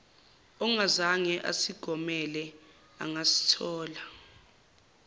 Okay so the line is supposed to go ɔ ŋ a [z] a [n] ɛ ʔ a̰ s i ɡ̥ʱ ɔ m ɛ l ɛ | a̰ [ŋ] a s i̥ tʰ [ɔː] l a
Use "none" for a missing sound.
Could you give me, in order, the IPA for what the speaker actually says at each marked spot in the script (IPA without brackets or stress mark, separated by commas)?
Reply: z, ŋ, ŋ, ɔː